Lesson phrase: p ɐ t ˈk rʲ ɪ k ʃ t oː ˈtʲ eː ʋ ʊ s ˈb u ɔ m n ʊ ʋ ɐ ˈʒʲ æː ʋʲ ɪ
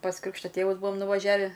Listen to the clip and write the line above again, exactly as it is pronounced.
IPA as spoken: p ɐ s ˈk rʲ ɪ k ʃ t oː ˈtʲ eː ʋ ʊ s ˈb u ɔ m n ʊ ʋ ɐ ˈʒʲ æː ʋʲ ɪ